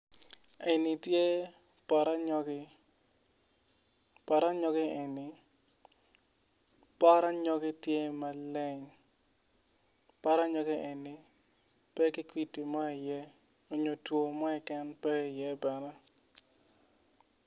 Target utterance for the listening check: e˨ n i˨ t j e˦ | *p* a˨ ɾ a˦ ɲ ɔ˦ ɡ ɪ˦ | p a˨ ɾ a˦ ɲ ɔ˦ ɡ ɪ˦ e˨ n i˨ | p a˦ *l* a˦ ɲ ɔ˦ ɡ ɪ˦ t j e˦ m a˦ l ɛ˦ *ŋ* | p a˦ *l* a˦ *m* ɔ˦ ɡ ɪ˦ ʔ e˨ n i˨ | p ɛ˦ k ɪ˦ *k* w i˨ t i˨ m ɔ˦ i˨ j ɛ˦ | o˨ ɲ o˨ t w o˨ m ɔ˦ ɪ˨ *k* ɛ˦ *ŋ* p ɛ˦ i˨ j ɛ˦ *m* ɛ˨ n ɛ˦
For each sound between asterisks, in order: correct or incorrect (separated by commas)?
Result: correct, incorrect, incorrect, incorrect, incorrect, correct, correct, incorrect, incorrect